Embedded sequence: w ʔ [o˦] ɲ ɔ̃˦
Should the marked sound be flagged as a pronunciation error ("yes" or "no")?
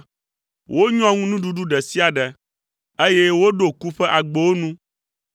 no